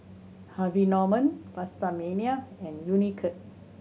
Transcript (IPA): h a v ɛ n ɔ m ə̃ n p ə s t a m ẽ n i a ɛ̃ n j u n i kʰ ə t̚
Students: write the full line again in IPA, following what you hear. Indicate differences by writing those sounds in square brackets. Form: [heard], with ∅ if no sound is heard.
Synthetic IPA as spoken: h a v [i] n ɔ m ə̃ n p [a] s t a m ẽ n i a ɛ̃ n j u n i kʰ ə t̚